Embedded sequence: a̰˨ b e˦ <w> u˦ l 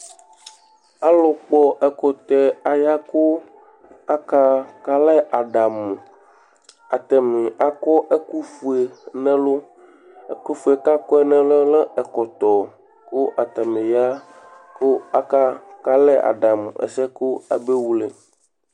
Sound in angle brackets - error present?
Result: no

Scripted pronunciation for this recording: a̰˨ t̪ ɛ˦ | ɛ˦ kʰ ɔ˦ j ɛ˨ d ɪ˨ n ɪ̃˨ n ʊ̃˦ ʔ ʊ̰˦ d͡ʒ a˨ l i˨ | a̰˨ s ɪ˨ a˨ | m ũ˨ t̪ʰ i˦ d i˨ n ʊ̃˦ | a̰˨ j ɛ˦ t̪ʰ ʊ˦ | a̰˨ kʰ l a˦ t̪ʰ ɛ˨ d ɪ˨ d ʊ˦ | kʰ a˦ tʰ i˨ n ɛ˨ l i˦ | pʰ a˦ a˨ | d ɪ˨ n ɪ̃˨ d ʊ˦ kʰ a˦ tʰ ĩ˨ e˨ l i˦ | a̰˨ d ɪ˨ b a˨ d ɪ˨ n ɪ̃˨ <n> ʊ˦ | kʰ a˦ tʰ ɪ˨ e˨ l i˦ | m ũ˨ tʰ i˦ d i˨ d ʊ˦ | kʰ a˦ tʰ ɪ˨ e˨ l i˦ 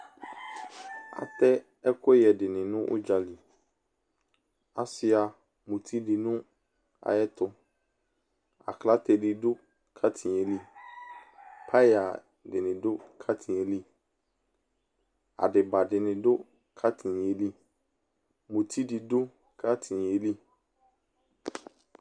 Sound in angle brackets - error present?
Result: yes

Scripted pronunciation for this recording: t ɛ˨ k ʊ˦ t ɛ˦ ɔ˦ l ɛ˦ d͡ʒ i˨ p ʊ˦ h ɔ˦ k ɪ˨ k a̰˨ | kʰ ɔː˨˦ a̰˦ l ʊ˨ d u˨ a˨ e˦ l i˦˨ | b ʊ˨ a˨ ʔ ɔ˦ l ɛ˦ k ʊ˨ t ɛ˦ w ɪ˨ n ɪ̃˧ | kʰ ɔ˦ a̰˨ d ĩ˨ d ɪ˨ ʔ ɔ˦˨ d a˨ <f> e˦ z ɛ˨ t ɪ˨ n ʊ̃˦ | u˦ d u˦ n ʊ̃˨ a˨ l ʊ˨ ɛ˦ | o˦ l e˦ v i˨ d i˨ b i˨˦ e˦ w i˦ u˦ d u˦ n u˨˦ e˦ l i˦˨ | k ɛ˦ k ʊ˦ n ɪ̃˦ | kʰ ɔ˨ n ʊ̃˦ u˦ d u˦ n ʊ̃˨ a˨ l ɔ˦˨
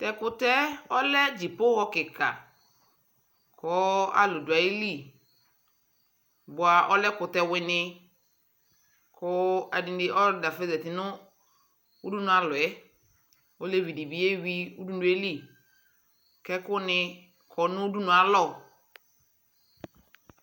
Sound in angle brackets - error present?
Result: no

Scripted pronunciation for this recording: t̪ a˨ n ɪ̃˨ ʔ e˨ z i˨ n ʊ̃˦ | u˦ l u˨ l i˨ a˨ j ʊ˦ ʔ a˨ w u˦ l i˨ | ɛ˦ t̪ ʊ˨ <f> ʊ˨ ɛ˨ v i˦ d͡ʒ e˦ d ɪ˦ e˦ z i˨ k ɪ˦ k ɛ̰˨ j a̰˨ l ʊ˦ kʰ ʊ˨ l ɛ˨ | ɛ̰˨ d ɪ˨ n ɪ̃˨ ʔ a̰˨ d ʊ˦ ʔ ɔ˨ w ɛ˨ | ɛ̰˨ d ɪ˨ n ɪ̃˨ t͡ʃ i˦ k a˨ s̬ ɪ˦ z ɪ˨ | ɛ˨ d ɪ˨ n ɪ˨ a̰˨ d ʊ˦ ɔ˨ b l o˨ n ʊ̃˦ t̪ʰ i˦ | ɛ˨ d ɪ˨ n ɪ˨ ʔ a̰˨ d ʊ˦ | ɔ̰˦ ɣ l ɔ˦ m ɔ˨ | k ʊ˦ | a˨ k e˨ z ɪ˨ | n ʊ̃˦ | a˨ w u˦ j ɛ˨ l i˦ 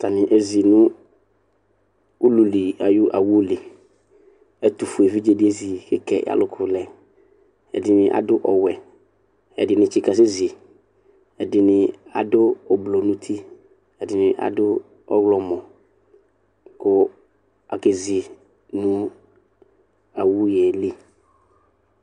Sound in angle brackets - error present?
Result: no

